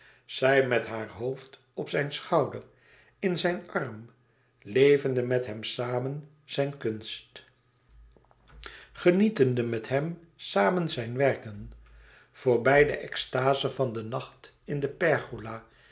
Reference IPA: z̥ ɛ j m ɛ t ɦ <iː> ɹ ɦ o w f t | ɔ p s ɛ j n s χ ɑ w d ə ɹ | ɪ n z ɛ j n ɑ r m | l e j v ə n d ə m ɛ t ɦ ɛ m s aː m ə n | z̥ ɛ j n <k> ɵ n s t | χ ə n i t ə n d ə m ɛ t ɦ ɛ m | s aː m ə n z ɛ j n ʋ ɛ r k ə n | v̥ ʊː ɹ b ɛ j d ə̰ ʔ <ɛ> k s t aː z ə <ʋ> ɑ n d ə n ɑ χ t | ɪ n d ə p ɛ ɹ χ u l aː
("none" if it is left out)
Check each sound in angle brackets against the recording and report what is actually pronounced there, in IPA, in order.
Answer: aː, k, ɛ, v

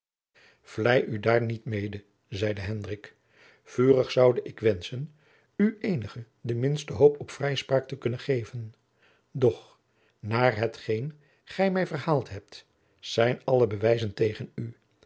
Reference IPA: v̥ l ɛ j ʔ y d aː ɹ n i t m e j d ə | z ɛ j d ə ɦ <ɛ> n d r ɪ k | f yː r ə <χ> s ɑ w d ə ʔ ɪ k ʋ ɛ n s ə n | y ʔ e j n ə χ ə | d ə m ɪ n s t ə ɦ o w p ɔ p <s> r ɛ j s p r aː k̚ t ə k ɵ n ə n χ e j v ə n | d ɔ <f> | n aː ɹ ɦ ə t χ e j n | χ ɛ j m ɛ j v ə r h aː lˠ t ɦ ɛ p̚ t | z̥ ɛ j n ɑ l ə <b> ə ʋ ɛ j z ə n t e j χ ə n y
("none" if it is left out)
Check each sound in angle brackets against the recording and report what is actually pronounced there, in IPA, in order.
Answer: ɛ, χ, f, χ, b

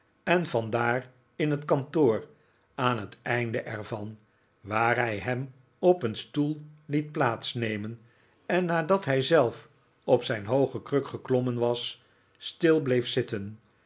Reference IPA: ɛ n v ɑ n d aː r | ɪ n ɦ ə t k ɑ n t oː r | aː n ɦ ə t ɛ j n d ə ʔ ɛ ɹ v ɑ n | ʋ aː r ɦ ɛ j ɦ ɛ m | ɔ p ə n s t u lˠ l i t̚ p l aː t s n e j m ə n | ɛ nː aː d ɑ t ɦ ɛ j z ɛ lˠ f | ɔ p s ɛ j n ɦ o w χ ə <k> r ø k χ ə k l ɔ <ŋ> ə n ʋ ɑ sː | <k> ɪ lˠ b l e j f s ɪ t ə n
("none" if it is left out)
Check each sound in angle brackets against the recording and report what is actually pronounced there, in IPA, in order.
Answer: k, m, t

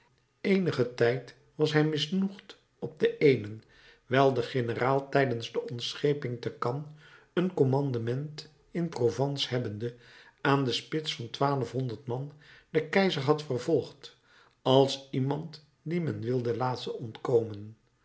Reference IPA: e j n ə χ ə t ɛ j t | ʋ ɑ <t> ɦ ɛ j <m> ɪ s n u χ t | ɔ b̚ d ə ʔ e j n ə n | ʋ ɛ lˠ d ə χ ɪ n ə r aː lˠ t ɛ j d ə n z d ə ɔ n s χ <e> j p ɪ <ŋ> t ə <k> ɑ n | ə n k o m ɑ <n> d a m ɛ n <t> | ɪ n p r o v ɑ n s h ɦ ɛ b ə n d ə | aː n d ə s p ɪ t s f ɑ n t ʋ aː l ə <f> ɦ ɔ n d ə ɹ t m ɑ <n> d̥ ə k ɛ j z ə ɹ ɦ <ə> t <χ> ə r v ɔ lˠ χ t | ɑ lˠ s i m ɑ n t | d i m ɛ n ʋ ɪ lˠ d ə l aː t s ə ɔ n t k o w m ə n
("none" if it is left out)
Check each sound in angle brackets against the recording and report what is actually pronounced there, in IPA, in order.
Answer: s, m, e, ŋ, k, n, t, f, n, ɑ, f

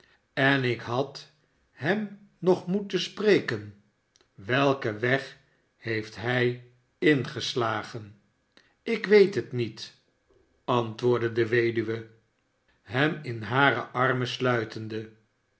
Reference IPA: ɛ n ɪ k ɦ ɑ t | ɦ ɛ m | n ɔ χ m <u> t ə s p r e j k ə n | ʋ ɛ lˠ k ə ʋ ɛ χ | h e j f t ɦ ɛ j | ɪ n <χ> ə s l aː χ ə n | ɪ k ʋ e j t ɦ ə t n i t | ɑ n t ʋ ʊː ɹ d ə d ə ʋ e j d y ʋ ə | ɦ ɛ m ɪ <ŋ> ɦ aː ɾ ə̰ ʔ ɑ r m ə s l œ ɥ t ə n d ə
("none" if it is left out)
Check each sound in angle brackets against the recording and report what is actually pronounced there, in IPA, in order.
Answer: u, χ, n

